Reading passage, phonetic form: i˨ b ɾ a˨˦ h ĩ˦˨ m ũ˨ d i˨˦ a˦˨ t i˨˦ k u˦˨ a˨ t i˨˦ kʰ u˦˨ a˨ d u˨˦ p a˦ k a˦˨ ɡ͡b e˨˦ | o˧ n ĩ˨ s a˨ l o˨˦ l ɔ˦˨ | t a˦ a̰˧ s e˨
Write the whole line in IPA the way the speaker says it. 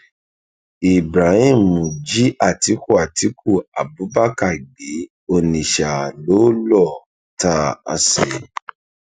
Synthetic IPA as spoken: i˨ b ɾ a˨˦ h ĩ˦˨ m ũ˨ d͡ʒ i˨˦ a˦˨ t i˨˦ k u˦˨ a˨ t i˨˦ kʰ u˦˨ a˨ b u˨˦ b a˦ k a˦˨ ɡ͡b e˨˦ | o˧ n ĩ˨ ʃ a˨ l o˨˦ l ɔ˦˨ | t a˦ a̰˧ s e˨